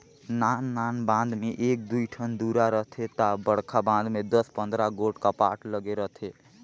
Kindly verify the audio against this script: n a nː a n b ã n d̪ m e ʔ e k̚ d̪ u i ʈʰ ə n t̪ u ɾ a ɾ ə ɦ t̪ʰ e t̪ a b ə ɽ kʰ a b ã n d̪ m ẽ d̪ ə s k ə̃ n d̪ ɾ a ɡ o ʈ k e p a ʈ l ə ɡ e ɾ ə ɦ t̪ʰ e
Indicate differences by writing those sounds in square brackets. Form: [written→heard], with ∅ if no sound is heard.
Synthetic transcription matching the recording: n a nː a n b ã n d̪ m e ʔ e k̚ d̪ u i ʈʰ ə n [t̪→d̪] u ɾ a ɾ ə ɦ t̪ʰ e t̪ a b ə ɽ kʰ a b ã n d̪ m [ẽ→e] d̪ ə s [k→p] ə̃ n d̪ ɾ a ɡ o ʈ k [e→a] p a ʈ l ə ɡ e ɾ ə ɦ t̪ʰ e